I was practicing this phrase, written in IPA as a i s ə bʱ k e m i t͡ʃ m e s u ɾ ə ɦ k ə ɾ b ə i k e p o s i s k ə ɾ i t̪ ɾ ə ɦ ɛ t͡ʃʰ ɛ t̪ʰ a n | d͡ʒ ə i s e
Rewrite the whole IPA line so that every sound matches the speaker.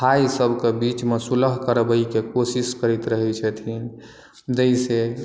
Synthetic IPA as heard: a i s ə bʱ k e b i t͡ʃ m e s u l ə ɦ k ə ɾ b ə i k e k o s i s k ə ɾ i t̪ ɾ ə ɦ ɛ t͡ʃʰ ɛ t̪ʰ i n | d͡ʒ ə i s e